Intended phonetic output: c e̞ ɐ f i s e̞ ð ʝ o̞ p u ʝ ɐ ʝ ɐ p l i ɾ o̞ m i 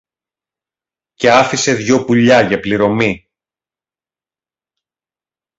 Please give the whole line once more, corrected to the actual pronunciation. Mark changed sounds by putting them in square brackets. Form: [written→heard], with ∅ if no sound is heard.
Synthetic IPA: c e̞ ɐ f i s e̞ ð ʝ o̞ p u [ʝ→ʎ] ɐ ʝ ɐ p l i ɾ o̞ m i